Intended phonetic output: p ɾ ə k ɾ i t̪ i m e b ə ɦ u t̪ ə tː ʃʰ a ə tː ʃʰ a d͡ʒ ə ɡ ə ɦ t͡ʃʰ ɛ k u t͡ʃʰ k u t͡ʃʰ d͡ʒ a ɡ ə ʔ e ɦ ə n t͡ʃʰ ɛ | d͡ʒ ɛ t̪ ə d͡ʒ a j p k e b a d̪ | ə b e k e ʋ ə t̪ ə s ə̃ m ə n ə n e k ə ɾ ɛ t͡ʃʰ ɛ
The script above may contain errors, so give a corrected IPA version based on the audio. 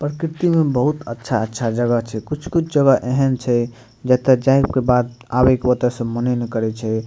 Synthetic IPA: p ɾ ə k ɾ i t̪ i m e b ə ɦ u t̪ ə tː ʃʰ a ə tː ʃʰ a d͡ʒ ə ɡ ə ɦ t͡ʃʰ ɛ k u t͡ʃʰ k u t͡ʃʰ d͡ʒ ə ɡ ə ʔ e ɦ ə n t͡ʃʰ ɛ | d͡ʒ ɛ t̪ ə d͡ʒ a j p k e b a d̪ | a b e k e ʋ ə t̪ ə s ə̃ m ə n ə n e k ə ɾ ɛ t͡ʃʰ ɛ